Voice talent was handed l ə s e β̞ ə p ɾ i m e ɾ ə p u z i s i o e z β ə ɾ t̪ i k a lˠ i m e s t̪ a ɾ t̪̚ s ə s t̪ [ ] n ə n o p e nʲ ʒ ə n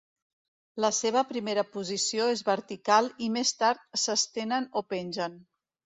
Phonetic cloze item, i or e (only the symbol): e